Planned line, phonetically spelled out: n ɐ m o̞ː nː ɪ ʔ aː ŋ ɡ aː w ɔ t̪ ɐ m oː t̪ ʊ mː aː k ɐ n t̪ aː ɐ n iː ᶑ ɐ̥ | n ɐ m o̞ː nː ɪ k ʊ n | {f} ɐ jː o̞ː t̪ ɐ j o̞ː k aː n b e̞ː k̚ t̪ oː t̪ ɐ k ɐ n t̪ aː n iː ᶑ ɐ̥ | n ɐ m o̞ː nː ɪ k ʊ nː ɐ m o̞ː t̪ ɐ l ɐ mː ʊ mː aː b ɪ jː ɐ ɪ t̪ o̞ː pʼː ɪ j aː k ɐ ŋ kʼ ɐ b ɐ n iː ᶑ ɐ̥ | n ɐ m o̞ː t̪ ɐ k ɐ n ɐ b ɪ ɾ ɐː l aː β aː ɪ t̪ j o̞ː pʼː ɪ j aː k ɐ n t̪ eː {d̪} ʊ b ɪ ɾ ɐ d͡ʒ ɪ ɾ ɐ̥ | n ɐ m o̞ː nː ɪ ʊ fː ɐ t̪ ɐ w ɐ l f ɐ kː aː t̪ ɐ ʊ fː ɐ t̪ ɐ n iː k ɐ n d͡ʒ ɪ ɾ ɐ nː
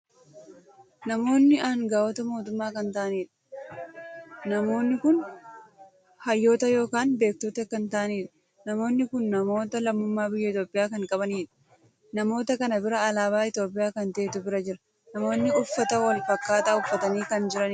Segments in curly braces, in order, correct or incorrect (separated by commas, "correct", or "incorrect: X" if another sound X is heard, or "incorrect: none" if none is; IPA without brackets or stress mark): incorrect: h, incorrect: t̪